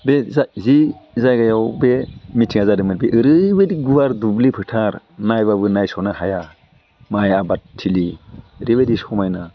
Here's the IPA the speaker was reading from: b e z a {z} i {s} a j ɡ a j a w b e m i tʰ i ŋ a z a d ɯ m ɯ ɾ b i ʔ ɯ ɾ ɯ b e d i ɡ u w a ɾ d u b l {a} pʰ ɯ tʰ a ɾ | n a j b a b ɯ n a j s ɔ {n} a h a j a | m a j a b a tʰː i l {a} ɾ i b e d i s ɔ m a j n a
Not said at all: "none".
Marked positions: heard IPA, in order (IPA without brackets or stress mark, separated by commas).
z, z, i, n, i